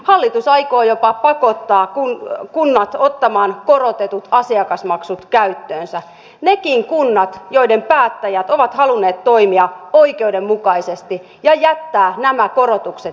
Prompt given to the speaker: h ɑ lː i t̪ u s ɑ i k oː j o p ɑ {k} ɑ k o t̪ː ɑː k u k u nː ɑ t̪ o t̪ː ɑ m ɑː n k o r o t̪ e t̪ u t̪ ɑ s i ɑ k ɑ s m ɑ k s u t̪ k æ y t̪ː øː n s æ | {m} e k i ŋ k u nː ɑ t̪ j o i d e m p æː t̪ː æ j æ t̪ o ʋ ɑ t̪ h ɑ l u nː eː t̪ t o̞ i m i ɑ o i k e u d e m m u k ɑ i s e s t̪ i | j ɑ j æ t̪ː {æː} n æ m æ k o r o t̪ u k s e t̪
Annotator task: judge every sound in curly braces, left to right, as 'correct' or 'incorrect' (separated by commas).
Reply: incorrect, incorrect, correct